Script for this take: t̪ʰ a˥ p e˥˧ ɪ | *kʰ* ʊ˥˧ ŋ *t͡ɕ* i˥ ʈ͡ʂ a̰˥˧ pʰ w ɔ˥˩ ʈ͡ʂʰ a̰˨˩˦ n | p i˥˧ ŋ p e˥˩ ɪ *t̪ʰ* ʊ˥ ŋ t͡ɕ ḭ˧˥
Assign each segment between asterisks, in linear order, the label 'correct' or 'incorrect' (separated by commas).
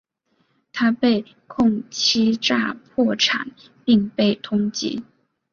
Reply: correct, incorrect, correct